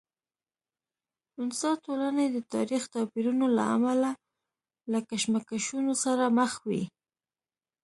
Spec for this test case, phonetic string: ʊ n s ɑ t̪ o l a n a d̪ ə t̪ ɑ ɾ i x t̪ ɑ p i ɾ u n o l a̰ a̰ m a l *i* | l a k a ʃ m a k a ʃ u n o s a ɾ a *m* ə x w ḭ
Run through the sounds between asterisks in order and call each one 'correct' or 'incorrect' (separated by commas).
incorrect, correct